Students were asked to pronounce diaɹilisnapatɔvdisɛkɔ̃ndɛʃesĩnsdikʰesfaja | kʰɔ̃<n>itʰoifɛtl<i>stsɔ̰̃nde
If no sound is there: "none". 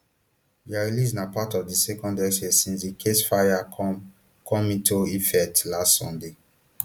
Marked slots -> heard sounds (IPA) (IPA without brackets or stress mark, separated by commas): m, a